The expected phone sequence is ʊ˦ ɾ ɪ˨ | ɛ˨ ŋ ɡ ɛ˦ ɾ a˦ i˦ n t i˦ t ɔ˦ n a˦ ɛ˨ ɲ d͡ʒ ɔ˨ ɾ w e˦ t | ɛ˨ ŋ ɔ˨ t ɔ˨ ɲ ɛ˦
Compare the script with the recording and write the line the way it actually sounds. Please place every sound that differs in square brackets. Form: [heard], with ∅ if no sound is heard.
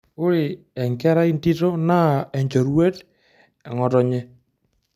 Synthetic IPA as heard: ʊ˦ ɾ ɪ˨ | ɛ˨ ŋ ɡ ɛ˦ ɾ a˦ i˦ n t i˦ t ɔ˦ n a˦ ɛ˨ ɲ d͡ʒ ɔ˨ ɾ w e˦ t | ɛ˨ ŋ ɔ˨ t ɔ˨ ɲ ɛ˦

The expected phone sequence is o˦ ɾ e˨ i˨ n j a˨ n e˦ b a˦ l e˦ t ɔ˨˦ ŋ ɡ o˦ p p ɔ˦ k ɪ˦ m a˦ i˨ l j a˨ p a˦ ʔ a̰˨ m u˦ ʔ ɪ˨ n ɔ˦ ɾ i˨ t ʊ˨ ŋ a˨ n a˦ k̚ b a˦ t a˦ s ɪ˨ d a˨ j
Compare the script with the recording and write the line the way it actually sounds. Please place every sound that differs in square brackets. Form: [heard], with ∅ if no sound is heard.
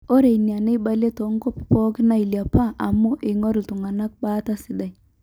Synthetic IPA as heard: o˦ ɾ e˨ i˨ n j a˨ n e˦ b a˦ l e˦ t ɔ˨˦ ŋ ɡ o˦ p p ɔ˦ k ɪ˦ [n] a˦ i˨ l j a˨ p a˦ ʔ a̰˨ m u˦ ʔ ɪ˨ [ŋ] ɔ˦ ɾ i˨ t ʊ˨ ŋ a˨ n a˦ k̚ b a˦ t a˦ s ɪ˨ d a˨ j

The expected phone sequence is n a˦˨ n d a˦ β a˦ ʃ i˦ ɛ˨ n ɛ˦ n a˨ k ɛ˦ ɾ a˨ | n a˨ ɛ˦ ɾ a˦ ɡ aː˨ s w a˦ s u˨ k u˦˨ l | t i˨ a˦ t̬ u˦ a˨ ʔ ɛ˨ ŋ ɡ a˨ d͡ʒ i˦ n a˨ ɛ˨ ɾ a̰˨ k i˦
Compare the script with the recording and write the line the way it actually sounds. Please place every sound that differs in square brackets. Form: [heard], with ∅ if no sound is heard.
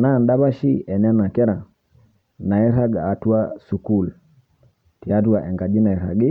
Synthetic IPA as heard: n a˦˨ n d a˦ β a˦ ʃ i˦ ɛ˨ n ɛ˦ n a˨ k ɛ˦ ɾ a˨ | n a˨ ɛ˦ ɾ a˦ ɡ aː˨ [t] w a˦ s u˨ k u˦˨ l | t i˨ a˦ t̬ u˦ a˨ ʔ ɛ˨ ŋ ɡ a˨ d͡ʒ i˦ n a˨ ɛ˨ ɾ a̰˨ [ɡ] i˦

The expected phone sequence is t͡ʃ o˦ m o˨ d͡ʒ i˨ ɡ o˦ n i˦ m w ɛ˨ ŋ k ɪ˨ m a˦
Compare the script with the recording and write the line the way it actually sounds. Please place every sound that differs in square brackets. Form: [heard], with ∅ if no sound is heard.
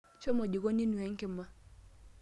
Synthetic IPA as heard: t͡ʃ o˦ m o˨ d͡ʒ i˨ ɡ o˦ n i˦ [n] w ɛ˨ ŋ k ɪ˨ m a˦

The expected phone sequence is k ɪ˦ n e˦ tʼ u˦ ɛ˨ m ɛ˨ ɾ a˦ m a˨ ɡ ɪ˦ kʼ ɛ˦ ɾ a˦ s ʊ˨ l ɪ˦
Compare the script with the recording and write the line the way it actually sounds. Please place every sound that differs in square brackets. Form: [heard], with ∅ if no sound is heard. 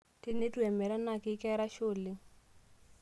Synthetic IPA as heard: [t] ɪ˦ n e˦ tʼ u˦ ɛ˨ m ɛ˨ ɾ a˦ [n] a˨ [k] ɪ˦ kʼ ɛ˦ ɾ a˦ [ʃ] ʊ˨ l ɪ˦

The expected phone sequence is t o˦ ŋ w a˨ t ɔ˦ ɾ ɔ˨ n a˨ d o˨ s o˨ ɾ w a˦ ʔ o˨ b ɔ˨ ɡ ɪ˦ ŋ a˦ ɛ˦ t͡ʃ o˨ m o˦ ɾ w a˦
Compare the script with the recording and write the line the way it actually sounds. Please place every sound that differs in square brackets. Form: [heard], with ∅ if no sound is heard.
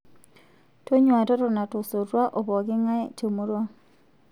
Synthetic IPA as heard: t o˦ [ɲ] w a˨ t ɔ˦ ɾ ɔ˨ n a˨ [t] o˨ s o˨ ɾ w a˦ ʔ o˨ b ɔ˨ ɡ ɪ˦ ŋ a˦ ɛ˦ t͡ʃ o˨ m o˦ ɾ w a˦

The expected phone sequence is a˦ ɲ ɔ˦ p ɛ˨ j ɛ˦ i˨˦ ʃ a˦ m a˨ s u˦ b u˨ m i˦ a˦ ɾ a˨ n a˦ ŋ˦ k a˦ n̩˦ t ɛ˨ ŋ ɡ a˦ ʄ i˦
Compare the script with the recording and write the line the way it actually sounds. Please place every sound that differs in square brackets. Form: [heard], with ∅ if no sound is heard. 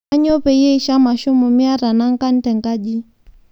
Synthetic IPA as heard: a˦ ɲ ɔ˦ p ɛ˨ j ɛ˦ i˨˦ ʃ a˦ m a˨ [ʃ] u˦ [m] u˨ m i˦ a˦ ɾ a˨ n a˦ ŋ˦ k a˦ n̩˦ t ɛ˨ ŋ ɡ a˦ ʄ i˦

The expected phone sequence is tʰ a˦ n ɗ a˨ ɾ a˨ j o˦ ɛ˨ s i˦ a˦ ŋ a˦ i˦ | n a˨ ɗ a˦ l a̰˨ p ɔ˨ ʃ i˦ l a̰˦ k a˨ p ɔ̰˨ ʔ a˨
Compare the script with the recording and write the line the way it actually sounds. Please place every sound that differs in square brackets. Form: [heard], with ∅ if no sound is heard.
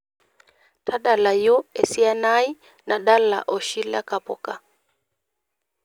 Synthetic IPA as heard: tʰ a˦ [∅] ɗ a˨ [l] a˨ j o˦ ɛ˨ s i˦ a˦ [n] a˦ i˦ | n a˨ ɗ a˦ l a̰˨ [ʔ] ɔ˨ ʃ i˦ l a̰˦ k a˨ p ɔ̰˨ [k] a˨

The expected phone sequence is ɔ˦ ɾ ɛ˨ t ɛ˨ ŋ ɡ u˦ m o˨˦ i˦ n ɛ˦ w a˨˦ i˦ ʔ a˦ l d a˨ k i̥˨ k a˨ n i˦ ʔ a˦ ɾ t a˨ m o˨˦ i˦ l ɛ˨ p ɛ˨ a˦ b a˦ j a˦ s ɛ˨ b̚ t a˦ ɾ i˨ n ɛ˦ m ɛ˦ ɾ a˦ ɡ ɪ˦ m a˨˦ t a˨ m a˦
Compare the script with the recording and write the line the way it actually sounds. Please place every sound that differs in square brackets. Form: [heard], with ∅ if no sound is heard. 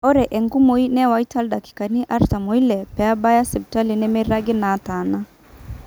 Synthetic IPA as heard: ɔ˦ ɾ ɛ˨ [ʔ] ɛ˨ ŋ ɡ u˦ m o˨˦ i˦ n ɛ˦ w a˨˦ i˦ [t] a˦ l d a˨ k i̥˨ k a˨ n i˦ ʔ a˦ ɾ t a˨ m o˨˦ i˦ l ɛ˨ p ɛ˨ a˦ b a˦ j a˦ s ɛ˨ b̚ t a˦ [l] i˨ n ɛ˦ m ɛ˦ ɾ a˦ ɡ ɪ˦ [n] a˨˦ t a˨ [n] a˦

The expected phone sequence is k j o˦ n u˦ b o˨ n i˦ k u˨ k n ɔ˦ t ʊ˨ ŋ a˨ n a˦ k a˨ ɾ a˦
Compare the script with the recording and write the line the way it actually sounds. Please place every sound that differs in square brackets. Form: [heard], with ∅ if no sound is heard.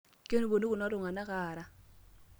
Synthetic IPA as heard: k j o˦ n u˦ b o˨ n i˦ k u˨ [∅] n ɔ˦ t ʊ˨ ŋ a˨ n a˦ k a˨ ɾ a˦

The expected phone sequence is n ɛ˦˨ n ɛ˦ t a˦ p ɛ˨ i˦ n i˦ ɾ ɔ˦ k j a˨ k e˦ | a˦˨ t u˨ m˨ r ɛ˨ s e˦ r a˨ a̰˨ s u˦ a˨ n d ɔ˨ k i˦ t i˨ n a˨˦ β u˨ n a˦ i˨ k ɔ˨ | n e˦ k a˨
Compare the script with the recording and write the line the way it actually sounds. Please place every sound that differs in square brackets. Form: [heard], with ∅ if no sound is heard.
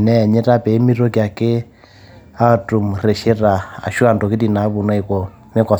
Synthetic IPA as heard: n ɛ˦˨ [ɲ] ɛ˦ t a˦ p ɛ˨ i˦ [m] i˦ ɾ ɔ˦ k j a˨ k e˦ | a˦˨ t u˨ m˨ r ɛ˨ [ʃ] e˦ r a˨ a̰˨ [ʃ] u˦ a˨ n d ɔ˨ k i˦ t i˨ n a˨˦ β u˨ n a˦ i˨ k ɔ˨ | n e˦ k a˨

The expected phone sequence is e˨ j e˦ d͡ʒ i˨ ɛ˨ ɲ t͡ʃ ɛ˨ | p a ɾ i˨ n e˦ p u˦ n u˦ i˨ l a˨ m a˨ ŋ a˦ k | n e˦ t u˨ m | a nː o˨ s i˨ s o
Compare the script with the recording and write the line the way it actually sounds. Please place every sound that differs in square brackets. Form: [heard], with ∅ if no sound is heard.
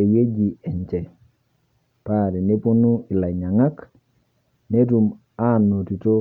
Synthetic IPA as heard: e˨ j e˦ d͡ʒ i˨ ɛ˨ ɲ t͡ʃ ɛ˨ | p a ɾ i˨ n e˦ p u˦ n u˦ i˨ l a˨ [ɲ] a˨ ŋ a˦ k | n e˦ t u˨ m | a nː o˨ [t] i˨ [t] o

